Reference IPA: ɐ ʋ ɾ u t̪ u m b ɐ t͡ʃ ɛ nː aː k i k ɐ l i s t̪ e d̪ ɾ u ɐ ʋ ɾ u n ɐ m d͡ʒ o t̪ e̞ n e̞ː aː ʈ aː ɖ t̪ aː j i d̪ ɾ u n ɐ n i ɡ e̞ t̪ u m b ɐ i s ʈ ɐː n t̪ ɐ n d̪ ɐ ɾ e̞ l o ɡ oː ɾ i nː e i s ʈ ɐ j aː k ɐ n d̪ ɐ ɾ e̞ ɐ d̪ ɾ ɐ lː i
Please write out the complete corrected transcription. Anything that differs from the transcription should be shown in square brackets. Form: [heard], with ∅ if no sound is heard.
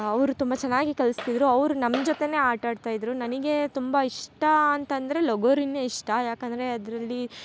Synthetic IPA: ɐ ʋ ɾ u t̪ u m b ɐ t͡ʃ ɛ nː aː [ɡ] i k ɐ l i s t̪ [i] d̪ ɾ u ɐ ʋ ɾ u n ɐ m d͡ʒ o t̪ e̞ n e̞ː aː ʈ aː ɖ t̪ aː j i d̪ ɾ u n ɐ n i ɡ e̞ t̪ u m b ɐ i [ʂ] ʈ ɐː n t̪ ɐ n d̪ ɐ ɾ e̞ l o ɡ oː ɾ i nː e i [ʂ] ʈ ɐ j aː k ɐ n d̪ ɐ ɾ e̞ ɐ d̪ ɾ ɐ lː i

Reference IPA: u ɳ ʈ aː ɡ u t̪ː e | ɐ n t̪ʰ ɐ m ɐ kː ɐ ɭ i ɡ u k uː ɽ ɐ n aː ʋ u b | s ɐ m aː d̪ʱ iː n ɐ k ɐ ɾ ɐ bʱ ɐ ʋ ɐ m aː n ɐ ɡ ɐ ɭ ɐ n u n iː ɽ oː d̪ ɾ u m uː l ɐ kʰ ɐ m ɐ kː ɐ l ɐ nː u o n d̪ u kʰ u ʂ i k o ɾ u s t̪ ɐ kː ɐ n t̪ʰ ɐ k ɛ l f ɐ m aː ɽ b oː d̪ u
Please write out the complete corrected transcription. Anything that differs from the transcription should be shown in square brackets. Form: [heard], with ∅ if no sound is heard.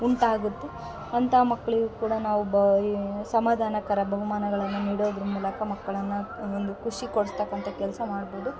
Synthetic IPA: u ɳ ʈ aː ɡ u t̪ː e | ɐ n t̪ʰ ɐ m ɐ kː ɐ ɭ i ɡ u k uː ɽ ɐ n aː ʋ u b | s ɐ m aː d̪ʱ [aː] n ɐ k ɐ ɾ ɐ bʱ ɐ ʋ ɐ m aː n ɐ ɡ ɐ ɭ ɐ [nː] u n iː ɽ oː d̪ ɾ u m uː l ɐ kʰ ɐ m ɐ kː ɐ [ɭ] ɐ nː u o n d̪ u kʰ u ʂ i k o [ɽ] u s t̪ ɐ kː ɐ n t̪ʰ ɐ k ɛ l [s] ɐ m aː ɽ b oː d̪ u

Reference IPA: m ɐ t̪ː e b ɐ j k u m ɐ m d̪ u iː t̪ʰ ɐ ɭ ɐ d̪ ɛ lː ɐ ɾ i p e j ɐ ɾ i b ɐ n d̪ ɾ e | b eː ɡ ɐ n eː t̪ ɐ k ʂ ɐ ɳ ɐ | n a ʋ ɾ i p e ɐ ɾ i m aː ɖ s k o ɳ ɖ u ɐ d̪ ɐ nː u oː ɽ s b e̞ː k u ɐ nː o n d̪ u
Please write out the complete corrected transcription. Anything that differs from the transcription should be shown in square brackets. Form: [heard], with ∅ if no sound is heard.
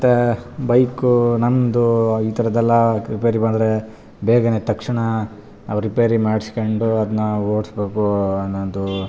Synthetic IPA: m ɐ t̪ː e b ɐ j k u [n] ɐ m d̪ u iː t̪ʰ ɐ [ɾ] ɐ d̪ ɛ lː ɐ ɾ i p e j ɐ ɾ i b ɐ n d̪ ɾ e | b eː ɡ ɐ n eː t̪ ɐ k ʂ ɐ ɳ ɐ | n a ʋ ɾ i p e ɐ ɾ i m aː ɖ s k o ɳ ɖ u ɐ d̪ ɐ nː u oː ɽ s b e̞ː k u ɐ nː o n d̪ u

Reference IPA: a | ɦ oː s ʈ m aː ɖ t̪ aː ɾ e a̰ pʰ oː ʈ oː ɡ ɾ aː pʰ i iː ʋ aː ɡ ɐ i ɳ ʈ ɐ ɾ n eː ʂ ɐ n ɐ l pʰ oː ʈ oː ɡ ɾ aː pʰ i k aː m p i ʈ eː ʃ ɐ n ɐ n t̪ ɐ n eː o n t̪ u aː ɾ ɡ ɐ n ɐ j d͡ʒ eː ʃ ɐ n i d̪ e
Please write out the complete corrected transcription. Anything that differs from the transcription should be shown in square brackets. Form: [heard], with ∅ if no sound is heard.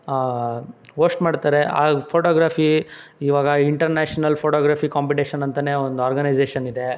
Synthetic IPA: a | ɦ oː s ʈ m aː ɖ t̪ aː ɾ e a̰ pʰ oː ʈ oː ɡ ɾ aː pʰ i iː ʋ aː ɡ ɐ i ɳ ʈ ɐ ɾ n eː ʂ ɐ n ɐ l pʰ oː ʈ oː ɡ ɾ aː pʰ i k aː m p i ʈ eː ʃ ɐ n ɐ n t̪ ɐ n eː o n [d̪] u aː ɾ ɡ ɐ n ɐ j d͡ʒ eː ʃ ɐ n i d̪ e

